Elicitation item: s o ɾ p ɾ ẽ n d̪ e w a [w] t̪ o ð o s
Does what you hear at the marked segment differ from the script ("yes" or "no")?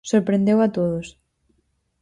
yes